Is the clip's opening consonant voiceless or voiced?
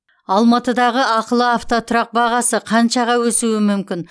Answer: voiced